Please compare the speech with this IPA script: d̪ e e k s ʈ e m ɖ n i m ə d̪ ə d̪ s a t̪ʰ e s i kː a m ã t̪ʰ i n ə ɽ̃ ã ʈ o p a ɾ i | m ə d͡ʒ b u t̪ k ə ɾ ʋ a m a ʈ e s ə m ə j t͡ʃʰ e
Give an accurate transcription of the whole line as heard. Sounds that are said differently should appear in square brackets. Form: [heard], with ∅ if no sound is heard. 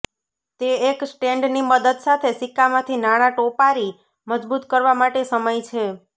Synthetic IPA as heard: [t̪] e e k s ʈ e [ɳ] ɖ n i m ə d̪ ə d̪ s a t̪ʰ e s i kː a m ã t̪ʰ i n [a] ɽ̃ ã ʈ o p a ɾ i | m ə d͡ʒ b u t̪ k ə ɾ ʋ a m a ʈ e s ə m ə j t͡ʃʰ e